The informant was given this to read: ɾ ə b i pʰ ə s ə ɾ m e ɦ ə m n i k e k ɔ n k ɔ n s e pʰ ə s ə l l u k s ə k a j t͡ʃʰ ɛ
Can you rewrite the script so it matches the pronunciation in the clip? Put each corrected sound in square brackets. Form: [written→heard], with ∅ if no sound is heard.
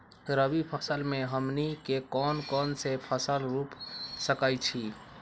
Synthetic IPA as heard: ɾ ə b i pʰ ə s ə [ɾ→l] m e ɦ ə m n i k e k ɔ n k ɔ n s e pʰ ə s ə l [l→ɾ] u [k→p] s ə k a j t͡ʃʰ [ɛ→i]